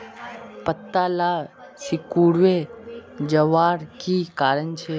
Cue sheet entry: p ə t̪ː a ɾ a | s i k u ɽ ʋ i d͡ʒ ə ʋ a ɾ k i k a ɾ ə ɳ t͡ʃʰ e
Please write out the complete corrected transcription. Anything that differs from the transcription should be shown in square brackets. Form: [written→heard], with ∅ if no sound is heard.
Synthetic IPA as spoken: p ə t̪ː a [ɾ→l] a | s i k u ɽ ʋ [i→e] d͡ʒ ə ʋ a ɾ k i k a ɾ ə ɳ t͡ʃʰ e